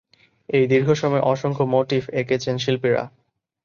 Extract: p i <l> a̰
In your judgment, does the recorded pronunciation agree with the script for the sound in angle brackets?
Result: no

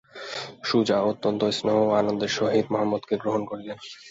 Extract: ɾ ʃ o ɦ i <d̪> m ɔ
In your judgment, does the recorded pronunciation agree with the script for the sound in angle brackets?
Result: yes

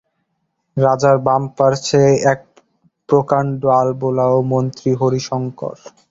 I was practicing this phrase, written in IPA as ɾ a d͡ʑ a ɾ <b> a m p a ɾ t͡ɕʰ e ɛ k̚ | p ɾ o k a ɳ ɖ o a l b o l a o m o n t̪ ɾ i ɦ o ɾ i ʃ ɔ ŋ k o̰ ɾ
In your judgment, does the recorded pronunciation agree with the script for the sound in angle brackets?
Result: yes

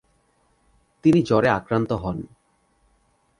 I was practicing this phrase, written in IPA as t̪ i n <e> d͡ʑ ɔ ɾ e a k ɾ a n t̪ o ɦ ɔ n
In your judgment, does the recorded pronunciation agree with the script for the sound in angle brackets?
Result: no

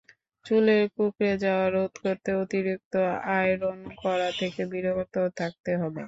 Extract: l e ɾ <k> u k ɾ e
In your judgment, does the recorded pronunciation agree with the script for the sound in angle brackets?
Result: yes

